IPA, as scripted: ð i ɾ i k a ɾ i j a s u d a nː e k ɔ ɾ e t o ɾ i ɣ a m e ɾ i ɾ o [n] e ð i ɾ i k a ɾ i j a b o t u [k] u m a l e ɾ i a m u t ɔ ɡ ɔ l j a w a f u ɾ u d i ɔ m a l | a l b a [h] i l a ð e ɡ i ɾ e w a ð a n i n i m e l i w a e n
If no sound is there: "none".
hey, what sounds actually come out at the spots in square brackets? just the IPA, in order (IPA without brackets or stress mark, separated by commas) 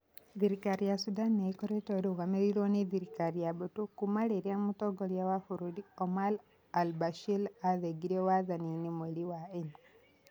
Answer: n, k, ʃ